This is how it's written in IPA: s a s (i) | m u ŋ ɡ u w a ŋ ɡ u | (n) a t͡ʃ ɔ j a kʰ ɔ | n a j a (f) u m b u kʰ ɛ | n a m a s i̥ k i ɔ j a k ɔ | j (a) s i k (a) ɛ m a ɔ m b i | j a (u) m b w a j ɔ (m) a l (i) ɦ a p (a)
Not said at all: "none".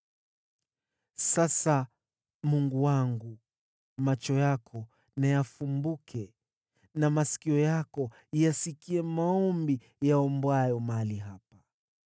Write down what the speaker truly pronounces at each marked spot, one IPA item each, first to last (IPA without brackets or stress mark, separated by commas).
a, m, f, a, i, ɔ, m, i, a